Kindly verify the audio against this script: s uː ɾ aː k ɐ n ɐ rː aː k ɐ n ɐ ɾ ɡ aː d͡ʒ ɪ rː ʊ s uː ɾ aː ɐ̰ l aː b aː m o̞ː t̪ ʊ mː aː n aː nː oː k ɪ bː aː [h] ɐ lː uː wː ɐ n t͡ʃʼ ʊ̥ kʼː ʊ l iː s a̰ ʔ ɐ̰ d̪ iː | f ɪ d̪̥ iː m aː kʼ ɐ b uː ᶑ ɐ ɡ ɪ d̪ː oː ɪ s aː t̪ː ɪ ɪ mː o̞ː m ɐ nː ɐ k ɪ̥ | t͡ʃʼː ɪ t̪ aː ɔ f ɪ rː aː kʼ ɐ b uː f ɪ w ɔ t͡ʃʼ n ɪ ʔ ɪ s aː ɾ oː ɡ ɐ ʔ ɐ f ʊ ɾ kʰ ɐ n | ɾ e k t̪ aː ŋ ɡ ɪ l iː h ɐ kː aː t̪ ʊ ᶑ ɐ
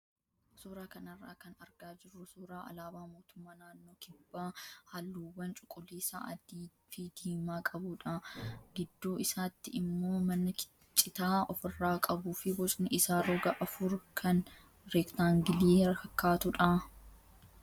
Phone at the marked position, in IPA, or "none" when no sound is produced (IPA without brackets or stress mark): h